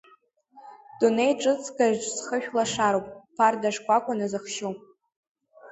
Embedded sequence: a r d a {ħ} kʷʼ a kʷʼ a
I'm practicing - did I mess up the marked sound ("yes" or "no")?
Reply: yes